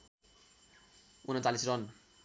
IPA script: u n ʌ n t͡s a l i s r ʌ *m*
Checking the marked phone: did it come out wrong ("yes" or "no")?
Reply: yes